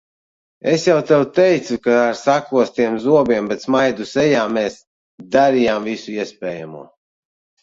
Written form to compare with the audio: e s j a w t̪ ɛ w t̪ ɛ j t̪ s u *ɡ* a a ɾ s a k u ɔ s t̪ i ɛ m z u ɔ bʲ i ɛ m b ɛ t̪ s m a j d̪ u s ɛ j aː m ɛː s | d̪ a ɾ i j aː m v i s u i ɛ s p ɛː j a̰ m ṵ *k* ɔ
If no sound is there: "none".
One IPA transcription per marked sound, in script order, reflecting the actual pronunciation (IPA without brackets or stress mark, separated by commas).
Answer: k, none